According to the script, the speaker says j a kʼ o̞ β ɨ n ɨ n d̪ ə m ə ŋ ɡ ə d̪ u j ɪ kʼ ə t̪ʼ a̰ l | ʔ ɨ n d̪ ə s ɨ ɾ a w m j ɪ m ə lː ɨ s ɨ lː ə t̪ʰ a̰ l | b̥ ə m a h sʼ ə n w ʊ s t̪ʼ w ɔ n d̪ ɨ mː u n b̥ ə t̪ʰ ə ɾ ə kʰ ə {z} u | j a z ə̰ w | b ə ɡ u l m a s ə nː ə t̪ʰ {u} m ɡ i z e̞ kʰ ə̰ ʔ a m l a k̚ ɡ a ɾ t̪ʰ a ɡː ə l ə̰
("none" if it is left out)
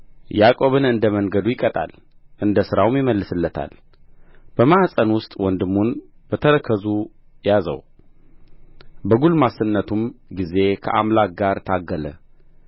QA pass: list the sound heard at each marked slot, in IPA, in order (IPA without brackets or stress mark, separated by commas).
z, u